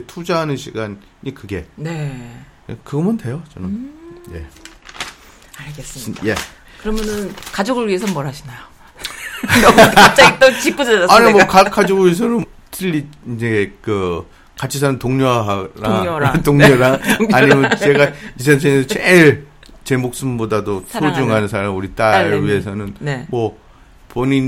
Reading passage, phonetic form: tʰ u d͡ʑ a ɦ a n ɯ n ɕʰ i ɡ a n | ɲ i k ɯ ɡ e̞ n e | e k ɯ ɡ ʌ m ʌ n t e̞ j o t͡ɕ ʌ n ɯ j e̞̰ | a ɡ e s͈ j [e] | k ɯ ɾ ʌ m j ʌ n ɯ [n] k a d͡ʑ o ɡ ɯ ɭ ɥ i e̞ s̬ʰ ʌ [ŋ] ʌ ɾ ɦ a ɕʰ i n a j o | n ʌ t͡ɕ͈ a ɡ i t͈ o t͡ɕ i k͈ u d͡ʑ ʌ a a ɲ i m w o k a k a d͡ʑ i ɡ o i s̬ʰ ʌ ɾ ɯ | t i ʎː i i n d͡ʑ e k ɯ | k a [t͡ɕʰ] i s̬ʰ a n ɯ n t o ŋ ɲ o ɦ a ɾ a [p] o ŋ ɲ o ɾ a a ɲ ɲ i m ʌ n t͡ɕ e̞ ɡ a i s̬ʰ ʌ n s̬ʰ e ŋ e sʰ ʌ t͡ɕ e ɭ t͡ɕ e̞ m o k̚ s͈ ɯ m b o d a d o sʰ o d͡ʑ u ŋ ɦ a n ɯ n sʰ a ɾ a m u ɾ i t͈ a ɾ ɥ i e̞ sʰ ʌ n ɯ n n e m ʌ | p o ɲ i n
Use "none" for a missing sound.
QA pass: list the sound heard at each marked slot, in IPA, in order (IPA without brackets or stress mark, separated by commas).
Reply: e, n, m, t͡ɕʰ, t